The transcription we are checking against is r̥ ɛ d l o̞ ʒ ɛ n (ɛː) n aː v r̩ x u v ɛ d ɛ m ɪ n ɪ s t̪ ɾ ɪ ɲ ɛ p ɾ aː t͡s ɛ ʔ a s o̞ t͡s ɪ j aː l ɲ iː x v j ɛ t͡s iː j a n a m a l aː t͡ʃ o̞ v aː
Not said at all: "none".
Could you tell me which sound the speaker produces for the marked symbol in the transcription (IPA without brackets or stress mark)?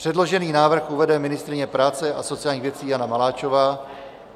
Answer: iː